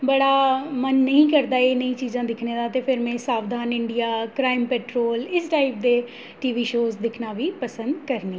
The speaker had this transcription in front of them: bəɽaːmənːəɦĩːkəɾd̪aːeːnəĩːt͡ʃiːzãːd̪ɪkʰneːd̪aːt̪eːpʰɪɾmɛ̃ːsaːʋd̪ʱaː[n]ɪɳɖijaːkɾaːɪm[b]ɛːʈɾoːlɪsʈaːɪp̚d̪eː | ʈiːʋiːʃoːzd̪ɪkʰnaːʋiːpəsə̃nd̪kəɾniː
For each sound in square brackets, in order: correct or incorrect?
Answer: correct, incorrect

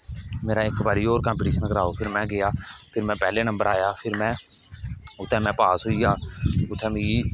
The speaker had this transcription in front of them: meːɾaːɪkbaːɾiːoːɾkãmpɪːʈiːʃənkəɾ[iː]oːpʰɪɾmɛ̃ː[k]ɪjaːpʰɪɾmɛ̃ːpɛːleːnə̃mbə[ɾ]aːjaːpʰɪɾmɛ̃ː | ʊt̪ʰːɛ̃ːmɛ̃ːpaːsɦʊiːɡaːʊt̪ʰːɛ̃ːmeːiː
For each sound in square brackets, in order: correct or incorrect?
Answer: incorrect, incorrect, correct

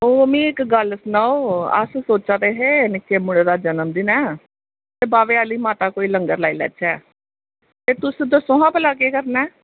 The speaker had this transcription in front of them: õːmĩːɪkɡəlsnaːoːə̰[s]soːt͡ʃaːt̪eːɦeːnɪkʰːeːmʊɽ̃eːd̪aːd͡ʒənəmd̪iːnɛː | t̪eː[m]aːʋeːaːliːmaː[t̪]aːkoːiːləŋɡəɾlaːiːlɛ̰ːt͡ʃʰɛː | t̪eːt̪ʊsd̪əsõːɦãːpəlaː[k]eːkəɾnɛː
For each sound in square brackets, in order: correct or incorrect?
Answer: correct, incorrect, correct, correct

